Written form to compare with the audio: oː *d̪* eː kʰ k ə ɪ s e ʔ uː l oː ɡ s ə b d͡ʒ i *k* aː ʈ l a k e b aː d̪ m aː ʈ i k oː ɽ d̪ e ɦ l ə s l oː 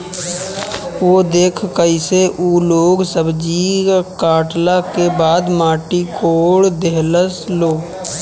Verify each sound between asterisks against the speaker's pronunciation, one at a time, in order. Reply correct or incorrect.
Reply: correct, correct

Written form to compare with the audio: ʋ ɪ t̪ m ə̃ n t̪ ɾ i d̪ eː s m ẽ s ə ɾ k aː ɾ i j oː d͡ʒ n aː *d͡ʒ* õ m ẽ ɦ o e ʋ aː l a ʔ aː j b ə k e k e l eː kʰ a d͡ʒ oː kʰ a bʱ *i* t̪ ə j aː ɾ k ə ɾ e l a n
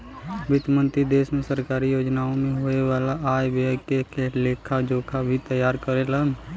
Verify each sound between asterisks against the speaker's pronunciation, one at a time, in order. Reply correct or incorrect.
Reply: incorrect, correct

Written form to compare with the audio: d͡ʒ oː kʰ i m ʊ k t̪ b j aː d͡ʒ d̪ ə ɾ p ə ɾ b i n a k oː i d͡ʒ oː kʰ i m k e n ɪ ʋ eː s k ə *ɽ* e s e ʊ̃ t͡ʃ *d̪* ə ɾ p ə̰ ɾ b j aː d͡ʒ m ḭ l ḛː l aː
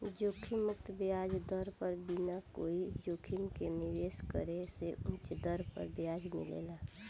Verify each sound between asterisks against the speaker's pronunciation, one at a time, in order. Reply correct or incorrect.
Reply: incorrect, correct

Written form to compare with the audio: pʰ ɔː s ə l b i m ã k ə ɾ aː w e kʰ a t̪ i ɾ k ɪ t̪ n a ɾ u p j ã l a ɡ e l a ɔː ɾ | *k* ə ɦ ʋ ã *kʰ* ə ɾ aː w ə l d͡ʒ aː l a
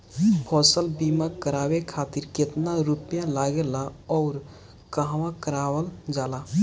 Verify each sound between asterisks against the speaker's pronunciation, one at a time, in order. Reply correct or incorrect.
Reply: correct, incorrect

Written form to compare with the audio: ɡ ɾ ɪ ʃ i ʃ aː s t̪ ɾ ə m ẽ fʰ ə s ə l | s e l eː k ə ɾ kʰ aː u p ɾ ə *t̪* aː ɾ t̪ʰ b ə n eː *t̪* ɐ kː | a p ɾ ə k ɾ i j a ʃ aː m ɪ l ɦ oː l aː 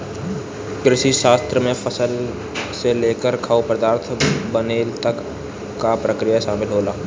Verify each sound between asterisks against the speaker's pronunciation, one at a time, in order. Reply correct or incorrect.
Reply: incorrect, correct

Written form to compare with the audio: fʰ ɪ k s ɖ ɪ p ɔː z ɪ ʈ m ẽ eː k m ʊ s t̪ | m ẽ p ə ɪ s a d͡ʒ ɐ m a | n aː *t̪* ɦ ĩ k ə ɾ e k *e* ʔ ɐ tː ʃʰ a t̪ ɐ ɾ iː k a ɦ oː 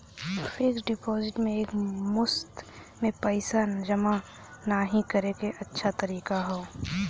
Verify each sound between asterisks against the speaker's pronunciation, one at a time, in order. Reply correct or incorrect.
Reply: incorrect, correct

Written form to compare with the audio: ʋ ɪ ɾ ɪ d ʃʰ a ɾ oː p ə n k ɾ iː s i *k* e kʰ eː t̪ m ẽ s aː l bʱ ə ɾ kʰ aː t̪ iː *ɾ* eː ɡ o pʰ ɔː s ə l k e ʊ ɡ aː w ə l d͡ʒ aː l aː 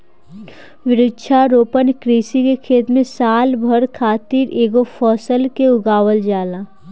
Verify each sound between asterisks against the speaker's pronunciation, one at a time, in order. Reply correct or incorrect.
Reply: correct, correct

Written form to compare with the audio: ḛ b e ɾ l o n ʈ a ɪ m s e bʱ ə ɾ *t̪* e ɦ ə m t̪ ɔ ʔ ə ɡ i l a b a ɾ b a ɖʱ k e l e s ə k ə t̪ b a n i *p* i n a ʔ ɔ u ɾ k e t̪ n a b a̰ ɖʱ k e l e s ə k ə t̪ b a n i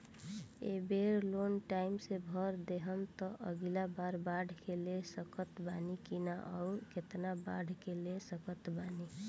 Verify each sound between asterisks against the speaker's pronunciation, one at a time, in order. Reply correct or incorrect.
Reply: incorrect, incorrect

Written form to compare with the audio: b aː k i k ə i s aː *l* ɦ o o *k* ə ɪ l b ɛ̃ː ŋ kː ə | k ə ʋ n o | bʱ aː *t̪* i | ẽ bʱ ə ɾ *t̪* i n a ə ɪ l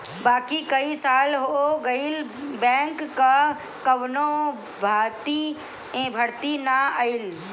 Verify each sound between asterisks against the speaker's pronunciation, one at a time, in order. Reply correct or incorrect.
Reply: correct, incorrect, correct, correct

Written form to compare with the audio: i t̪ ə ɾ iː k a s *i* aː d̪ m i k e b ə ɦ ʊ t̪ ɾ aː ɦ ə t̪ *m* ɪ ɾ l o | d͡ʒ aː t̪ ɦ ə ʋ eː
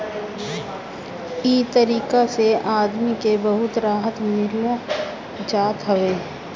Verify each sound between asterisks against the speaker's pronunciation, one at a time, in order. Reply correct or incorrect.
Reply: incorrect, correct

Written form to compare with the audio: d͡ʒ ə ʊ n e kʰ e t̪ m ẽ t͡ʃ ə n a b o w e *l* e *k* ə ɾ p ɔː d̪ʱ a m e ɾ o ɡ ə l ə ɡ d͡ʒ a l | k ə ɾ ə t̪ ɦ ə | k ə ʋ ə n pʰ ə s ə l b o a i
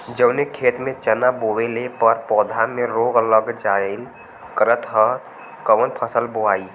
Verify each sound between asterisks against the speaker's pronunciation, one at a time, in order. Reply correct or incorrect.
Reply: correct, incorrect

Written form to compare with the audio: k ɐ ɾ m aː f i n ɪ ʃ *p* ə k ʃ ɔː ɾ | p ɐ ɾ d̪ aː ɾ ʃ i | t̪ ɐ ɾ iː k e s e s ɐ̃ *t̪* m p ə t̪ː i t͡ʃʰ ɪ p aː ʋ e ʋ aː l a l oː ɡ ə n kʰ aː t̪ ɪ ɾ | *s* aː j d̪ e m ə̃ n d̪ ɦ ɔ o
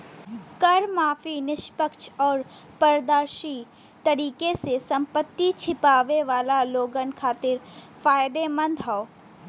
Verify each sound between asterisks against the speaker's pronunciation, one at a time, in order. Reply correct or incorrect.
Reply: correct, incorrect, incorrect

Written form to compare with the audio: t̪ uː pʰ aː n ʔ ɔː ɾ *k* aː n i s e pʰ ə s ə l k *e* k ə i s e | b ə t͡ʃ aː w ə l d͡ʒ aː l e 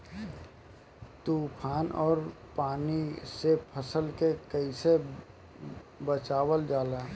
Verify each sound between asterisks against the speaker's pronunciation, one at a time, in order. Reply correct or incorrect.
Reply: incorrect, correct

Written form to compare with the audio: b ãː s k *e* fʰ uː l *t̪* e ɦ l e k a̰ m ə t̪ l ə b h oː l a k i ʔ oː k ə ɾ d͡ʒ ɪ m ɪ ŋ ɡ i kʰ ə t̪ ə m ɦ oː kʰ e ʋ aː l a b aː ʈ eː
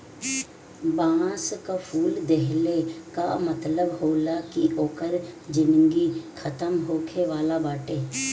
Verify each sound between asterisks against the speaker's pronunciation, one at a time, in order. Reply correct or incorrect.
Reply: incorrect, incorrect

